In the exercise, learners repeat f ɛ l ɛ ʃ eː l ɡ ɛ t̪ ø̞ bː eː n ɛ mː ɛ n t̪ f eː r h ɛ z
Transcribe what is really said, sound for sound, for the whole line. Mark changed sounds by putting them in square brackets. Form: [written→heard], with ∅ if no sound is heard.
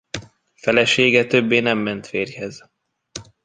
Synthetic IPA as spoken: f ɛ l ɛ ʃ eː [l→∅] ɡ ɛ t̪ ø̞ bː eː n ɛ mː ɛ n t̪ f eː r h ɛ z